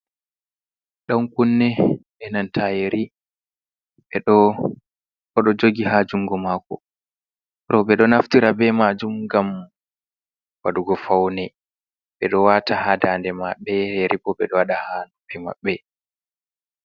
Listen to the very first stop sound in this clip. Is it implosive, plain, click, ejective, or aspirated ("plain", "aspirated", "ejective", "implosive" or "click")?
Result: implosive